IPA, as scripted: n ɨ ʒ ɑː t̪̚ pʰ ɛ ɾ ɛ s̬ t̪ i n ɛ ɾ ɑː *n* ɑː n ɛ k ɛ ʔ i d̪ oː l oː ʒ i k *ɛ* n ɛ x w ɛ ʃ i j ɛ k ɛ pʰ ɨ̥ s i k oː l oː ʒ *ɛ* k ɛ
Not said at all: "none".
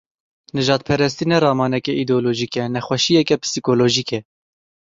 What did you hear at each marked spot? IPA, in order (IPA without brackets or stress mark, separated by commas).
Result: m, ɛ, i